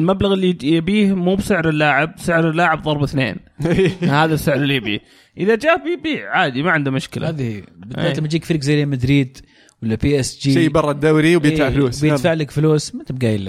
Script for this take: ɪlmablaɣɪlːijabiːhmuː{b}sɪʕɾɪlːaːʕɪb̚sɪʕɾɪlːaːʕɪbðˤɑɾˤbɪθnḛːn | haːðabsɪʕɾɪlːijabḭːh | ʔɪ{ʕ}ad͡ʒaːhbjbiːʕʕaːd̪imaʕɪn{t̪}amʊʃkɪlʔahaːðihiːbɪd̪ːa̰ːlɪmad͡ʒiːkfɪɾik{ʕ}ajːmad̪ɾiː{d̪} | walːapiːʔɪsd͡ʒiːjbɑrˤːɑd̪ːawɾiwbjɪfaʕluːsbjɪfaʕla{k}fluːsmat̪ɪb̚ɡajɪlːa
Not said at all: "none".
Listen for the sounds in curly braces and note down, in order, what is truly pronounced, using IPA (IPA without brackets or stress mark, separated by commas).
b, ð, d̪, z, d̪, k